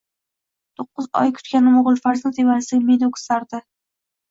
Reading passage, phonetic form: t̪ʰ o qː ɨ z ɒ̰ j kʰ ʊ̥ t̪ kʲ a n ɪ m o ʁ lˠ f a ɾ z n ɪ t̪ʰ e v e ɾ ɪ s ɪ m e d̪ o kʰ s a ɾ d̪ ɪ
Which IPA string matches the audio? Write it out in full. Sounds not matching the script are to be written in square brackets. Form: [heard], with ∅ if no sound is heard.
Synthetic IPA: t̪ʰ o qː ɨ z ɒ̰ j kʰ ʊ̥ t̪ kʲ a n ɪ m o ʁ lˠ f a ɾ z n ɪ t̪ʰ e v [a] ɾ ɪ s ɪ m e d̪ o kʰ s a ɾ d̪ ɪ

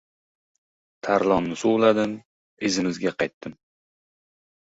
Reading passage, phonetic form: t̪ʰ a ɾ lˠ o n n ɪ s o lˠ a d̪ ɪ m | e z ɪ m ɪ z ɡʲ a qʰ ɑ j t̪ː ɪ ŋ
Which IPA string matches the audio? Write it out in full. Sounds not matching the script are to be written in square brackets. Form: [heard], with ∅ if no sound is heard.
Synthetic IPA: t̪ʰ a ɾ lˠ [ɒ] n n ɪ s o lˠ a d̪ ɪ m | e z ɪ m ɪ z ɡʲ a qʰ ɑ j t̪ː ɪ [m]

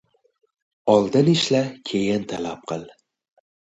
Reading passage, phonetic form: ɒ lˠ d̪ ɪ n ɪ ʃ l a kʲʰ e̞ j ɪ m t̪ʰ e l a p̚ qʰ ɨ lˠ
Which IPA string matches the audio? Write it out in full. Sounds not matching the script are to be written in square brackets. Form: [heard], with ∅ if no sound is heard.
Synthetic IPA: ɒ lˠ d̪ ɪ n ɪ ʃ l a kʲʰ e̞ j ɪ [n] t̪ʰ [a] l a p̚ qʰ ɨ lˠ

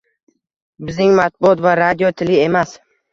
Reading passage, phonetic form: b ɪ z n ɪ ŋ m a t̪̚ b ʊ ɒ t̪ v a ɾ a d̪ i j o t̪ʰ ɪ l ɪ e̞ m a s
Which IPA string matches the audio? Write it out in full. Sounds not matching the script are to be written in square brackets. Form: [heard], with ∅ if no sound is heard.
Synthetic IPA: b ɪ z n ɪ ŋ m a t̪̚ b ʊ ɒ t̪ v a ɾ a d̪ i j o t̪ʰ ɪ l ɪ e̞ m a s

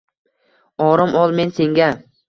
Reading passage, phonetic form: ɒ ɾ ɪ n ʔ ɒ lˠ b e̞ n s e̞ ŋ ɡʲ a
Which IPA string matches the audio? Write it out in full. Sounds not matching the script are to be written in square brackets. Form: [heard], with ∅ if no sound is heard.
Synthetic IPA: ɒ ɾ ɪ [m] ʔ ɒ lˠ [m] e̞ n s e̞ ŋ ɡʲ a

